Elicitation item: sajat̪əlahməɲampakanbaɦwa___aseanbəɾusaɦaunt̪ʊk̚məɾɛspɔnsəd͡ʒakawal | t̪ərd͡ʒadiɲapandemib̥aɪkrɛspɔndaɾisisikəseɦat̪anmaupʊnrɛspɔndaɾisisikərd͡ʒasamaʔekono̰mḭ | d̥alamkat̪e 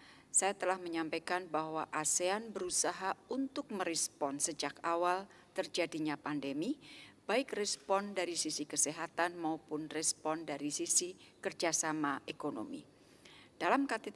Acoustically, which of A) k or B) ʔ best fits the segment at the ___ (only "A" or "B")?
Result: B